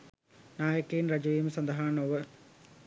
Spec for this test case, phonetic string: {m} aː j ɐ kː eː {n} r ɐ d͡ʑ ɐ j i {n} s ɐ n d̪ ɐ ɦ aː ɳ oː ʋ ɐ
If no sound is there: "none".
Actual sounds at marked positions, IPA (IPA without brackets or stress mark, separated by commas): n, n, m